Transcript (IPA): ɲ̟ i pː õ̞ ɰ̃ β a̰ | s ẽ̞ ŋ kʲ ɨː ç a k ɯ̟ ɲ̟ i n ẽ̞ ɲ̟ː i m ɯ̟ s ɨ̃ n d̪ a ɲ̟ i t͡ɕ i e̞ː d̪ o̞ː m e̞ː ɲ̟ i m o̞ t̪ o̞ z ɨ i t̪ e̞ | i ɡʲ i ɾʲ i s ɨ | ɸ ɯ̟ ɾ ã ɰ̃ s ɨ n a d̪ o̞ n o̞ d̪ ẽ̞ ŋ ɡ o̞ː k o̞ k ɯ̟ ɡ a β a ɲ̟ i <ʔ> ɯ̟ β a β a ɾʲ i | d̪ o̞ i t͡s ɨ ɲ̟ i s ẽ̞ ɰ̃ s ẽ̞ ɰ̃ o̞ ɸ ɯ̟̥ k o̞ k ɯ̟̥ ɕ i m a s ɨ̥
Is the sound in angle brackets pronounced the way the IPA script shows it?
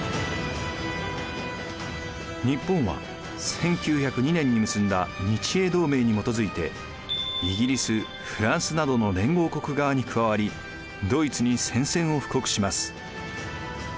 no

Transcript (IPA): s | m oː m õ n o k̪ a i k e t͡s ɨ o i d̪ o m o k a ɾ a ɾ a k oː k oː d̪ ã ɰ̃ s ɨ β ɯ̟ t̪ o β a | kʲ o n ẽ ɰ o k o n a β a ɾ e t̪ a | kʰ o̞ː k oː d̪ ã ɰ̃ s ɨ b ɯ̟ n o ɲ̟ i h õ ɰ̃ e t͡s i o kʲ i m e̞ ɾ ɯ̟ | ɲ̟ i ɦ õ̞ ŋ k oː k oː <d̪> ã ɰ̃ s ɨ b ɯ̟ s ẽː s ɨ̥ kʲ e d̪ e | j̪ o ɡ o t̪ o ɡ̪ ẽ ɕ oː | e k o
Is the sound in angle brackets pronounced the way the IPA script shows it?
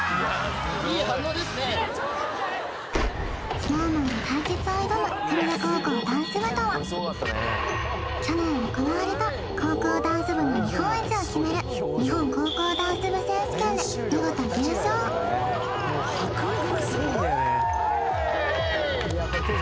yes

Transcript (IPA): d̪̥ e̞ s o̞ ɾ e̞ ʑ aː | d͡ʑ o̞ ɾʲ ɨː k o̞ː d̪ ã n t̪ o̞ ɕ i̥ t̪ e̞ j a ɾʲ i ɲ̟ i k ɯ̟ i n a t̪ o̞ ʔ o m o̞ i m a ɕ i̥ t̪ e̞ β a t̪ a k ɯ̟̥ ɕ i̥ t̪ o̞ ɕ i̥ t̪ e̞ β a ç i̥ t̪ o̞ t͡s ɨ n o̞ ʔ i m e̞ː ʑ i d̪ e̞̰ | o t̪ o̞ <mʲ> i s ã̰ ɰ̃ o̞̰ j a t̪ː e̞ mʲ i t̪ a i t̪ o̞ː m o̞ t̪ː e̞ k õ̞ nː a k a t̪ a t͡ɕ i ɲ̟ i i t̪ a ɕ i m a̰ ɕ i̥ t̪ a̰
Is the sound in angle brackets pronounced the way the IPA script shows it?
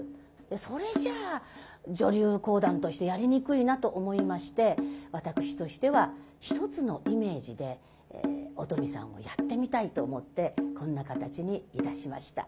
yes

